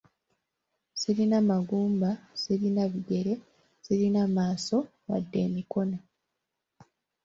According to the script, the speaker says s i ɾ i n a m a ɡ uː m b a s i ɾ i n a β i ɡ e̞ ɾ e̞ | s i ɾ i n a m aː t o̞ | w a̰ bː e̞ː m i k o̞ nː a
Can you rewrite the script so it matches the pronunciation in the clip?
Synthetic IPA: s i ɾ i n a m a ɡ uː m b a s i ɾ i n a β i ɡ e̞ ɾ e̞ | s i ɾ i n a m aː s o̞ | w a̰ dː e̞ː m i k o̞ n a